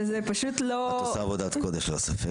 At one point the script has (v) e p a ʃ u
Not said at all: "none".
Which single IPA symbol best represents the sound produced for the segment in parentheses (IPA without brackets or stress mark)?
z